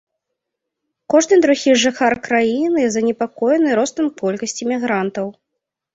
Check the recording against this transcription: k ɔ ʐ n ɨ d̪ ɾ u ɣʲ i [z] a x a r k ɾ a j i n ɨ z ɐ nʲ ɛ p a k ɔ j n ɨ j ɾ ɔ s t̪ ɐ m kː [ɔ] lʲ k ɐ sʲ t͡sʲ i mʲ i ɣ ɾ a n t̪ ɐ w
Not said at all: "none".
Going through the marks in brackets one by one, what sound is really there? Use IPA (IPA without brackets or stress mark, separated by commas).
ʐ, ɔ